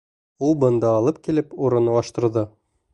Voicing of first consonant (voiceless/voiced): voiced